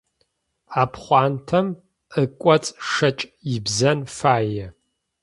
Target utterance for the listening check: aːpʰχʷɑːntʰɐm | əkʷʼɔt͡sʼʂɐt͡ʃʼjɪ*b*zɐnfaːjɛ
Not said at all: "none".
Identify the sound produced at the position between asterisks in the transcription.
b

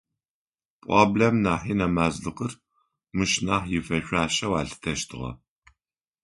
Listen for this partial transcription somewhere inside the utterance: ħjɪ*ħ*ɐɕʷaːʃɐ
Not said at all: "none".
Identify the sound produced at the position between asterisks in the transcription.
f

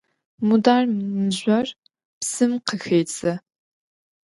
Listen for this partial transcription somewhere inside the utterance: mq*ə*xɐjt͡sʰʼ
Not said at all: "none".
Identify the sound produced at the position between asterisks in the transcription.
ə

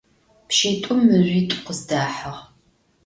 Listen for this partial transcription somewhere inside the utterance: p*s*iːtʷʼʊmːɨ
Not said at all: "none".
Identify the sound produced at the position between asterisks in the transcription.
ʃ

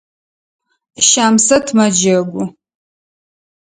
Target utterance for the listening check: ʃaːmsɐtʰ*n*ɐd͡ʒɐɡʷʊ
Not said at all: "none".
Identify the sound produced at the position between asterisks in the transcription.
m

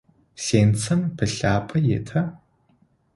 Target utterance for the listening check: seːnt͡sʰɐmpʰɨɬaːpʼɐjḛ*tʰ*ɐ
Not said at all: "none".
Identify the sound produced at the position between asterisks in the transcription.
tʰ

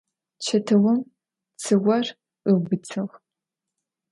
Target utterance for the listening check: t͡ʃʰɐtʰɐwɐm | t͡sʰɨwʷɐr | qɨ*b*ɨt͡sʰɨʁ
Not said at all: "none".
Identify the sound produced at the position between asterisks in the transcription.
b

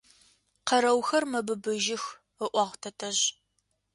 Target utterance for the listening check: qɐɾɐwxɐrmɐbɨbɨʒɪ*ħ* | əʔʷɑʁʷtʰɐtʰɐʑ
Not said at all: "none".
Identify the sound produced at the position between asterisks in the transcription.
x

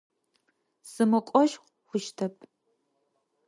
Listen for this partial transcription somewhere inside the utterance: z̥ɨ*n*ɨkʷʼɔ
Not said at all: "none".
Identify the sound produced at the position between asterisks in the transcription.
m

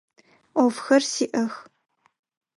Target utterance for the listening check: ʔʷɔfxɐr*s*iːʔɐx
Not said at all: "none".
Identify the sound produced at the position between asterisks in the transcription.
s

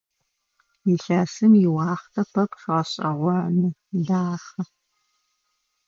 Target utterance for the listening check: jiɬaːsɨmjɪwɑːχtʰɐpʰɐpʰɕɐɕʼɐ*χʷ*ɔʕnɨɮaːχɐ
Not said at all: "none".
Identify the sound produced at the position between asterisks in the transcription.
ʁʷ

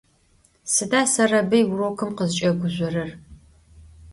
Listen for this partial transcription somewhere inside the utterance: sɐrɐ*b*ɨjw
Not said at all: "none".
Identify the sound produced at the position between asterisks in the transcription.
b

